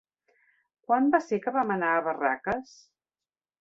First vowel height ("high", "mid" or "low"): low